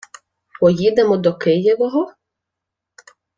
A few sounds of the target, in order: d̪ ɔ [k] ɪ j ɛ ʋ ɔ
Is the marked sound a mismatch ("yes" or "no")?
no